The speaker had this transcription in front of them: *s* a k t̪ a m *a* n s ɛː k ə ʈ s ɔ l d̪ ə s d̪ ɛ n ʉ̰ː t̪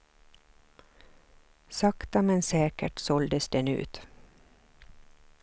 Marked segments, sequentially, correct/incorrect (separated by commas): correct, incorrect